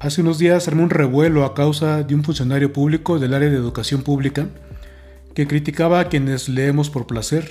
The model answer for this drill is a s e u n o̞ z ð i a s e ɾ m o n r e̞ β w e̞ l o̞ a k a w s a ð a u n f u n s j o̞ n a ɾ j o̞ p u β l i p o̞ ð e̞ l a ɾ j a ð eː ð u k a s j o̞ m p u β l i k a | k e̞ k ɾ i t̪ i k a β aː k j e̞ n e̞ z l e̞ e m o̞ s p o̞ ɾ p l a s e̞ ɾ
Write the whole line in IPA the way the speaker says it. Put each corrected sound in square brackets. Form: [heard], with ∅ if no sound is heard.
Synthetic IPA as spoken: a s e u n o̞ z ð i a s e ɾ m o n r e̞ β w e̞ l o̞ a k a w s a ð [e] u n f u n s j o̞ n a ɾ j o̞ p u β l i [k] o̞ ð e̞ l a ɾ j a ð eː ð u k a s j o̞ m p u β l i k a | k e̞ k ɾ i t̪ i k a β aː k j e̞ n e̞ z l e̞ e m o̞ s p o̞ ɾ p l a s e̞ ɾ